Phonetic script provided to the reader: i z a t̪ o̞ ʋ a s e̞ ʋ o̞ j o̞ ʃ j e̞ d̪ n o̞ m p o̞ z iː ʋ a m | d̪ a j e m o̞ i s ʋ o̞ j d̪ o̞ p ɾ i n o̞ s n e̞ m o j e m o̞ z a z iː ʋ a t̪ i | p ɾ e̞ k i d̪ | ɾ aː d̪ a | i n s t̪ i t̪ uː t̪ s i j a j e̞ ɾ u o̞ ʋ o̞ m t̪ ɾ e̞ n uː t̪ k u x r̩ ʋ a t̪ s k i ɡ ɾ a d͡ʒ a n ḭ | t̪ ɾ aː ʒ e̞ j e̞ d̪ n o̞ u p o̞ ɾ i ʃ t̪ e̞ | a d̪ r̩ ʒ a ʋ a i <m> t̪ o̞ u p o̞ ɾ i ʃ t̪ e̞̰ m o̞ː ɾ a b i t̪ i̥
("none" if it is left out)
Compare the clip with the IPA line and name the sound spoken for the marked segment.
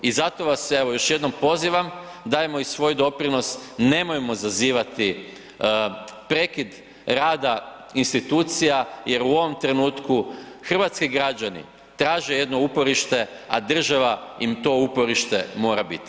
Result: m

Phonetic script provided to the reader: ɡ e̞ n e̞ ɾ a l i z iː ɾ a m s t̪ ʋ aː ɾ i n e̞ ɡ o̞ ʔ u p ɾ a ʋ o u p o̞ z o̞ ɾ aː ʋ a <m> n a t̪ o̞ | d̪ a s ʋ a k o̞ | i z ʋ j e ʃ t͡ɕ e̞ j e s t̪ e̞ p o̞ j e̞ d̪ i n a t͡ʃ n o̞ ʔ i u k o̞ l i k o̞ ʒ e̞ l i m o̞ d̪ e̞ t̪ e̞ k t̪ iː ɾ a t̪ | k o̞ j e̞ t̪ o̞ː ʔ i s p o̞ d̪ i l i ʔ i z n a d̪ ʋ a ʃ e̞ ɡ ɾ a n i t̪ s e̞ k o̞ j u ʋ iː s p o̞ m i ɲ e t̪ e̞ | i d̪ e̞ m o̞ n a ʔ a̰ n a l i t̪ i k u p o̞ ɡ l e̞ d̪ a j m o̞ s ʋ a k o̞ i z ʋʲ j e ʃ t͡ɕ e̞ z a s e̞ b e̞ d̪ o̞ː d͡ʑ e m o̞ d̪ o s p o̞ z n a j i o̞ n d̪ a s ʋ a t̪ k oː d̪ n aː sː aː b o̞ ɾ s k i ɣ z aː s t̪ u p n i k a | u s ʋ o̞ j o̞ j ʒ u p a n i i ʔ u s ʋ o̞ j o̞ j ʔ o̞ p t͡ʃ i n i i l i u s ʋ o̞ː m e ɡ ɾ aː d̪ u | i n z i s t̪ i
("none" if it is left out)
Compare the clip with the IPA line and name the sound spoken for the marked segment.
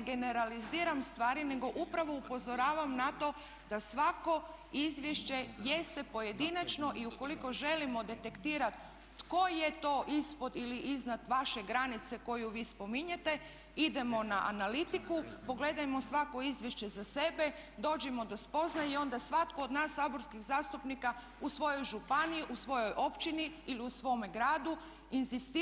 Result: m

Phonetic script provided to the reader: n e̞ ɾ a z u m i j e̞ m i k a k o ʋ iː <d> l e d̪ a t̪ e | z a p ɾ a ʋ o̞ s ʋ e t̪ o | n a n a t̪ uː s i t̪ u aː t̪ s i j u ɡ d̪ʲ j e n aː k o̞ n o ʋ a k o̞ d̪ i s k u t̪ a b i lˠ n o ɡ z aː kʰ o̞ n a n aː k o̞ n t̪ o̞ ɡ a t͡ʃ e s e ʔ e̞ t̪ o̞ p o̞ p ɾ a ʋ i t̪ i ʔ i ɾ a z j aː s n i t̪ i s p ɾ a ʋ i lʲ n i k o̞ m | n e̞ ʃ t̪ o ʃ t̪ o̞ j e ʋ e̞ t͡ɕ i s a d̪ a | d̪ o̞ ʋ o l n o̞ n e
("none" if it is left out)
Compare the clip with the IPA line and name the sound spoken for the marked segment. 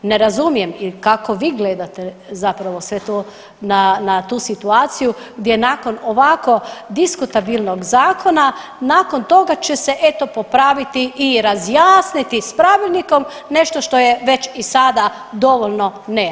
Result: ɡ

